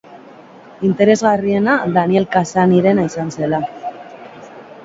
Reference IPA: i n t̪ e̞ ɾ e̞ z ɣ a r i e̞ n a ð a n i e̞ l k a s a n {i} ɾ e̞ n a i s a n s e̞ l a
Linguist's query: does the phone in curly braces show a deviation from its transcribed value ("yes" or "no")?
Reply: no